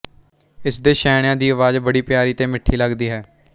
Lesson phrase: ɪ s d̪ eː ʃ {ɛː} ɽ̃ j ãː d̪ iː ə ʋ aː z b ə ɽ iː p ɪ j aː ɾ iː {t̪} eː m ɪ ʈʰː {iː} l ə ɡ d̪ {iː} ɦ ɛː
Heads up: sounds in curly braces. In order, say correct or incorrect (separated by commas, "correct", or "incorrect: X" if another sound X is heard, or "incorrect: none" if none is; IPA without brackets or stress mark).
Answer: correct, correct, correct, correct